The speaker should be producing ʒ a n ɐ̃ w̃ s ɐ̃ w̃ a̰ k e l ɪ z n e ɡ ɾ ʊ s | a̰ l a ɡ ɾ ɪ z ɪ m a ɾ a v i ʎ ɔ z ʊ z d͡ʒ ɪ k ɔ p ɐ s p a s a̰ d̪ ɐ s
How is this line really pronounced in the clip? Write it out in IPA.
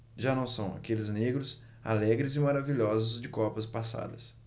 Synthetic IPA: ʒ a n ɐ̃ w̃ s ɐ̃ w̃ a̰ k e l ɪ z n e ɡ ɾ ʊ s | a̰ l ɛ ɡ ɾ ɪ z ɪ m a ɾ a v i ʎ ɔ z ʊ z d͡ʒ ɪ k ɔ p ɐ s p a s a̰ d̪ ɐ s